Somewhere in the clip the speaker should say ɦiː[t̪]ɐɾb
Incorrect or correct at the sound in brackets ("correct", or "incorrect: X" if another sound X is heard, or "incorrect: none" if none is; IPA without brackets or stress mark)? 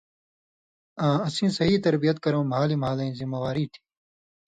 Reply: correct